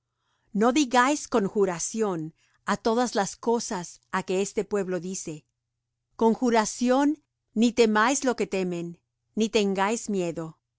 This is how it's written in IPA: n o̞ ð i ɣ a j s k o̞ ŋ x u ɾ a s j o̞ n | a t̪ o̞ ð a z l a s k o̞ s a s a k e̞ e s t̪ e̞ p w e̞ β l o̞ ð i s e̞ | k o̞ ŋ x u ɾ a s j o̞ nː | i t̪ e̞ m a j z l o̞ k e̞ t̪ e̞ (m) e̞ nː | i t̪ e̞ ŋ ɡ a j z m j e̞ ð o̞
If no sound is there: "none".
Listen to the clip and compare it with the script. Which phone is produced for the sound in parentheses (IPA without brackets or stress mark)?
m